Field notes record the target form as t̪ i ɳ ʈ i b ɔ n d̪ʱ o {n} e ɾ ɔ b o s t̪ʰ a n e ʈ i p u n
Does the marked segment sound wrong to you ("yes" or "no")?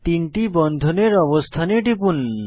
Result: no